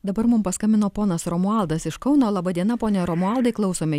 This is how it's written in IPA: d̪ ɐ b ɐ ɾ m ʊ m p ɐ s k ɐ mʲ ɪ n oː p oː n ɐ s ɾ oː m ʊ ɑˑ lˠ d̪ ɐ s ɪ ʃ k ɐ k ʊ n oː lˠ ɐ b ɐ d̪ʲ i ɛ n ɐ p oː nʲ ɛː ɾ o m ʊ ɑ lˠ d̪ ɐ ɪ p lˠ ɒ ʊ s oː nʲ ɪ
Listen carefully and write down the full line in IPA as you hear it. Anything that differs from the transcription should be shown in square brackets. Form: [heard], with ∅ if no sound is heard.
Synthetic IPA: d̪ ɐ b ɐ ɾ m ʊ m p ɐ s k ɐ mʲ ɪ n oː p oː n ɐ s ɾ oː m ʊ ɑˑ lˠ d̪ ɐ s ɪ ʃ k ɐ [∅] ʊ n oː lˠ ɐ b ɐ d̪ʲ i ɛ n ɐ p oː nʲ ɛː ɾ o m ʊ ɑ lˠ d̪ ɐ ɪ [k] lˠ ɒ ʊ s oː [mʲ] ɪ